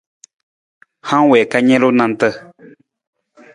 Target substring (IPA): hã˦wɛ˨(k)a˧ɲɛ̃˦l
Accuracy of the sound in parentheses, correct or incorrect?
correct